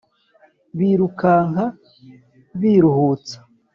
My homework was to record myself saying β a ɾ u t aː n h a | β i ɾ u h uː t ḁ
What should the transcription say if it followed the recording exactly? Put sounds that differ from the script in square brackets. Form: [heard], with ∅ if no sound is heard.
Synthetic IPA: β [i] ɾ u [k] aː [ŋ] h a | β i ɾ u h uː [t͡s] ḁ